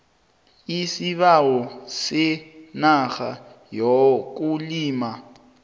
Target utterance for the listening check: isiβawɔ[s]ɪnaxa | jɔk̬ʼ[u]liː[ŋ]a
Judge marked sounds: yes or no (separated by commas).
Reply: yes, yes, no